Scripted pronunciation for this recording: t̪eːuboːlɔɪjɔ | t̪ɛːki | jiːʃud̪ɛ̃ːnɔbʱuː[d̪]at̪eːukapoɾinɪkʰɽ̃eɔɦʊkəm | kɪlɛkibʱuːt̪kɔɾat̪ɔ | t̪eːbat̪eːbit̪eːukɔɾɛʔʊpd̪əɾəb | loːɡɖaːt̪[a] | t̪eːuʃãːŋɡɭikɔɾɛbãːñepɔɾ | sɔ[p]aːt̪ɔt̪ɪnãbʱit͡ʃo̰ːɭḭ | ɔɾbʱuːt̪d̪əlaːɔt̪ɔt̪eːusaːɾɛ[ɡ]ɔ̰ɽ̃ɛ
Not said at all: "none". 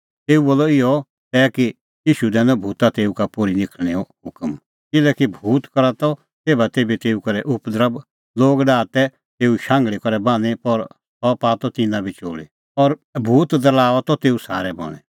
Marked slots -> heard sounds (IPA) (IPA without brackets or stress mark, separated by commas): t̪, ɛ, p, b